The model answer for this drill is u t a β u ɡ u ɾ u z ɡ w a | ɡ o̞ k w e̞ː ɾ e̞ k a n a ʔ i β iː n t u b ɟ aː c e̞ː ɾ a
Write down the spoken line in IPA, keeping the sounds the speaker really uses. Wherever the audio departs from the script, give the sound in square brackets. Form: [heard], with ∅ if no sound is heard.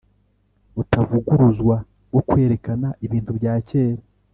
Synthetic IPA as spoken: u t a [v] u ɡ u ɾ u z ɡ w a | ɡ o̞ k w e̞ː ɾ e̞ k a n a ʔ i β iː n t u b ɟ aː c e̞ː ɾ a